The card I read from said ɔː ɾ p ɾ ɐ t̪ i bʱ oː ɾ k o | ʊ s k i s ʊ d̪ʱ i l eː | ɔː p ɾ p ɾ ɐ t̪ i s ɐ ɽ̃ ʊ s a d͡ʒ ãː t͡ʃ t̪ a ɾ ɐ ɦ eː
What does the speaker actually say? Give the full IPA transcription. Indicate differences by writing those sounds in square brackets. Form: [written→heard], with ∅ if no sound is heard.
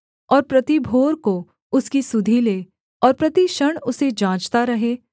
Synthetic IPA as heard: ɔː ɾ p ɾ ɐ t̪ i bʱ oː ɾ k o | ʊ s k i s ʊ d̪ʱ i l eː | ɔː [p→∅] ɾ p ɾ ɐ t̪ i [s→ʃ] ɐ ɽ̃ ʊ s [a→e] d͡ʒ ãː t͡ʃ t̪ a ɾ ɐ ɦ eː